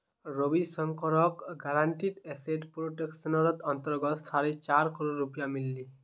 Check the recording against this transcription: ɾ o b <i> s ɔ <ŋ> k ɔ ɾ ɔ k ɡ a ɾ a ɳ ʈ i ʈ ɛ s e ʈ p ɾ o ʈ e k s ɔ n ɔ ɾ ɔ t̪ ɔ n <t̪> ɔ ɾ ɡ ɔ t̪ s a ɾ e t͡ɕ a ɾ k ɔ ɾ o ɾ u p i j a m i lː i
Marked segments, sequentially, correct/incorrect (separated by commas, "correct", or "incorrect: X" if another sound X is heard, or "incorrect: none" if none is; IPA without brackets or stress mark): correct, correct, correct